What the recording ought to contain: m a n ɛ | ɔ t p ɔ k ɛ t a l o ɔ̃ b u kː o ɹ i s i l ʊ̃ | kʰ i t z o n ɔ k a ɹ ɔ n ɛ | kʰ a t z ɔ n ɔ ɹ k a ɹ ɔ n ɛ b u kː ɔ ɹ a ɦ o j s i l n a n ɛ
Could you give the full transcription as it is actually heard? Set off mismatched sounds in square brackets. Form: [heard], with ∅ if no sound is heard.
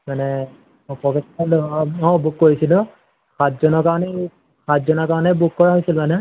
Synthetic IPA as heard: m a n ɛ | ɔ [∅] p ɔ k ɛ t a l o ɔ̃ b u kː o ɹ i s i l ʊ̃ | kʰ [a] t z [ɔ] n ɔ k a ɹ ɔ n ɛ | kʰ a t z ɔ n ɔ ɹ k a ɹ ɔ n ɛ b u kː ɔ ɹ a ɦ o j s i l [m] a n ɛ